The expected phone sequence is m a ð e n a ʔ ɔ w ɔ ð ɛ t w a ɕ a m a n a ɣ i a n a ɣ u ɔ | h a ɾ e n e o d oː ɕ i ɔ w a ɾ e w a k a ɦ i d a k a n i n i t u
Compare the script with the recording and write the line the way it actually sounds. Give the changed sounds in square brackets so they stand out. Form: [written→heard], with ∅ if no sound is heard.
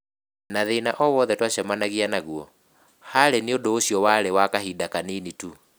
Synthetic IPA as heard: [m→n] a ð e n a ʔ ɔ w ɔ ð ɛ t w a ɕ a m a n a ɣ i a n a ɣ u ɔ | h a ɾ e n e o d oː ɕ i ɔ w a ɾ e w a k a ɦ i d a k a n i n i t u

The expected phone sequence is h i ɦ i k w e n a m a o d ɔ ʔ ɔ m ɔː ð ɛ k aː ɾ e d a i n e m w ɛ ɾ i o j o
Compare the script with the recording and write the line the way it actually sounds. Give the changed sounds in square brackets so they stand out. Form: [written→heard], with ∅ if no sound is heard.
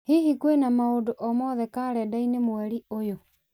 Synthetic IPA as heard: h i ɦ i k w e n a m a o d [ɔ→o] ʔ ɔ m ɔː ð ɛ k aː ɾ [e→ɛ] d a i n e m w ɛ ɾ i o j o

